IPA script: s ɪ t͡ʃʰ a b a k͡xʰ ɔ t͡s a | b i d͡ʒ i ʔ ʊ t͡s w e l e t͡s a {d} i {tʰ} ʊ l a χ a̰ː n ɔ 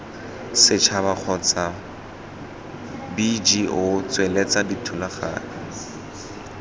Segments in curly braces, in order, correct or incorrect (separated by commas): correct, correct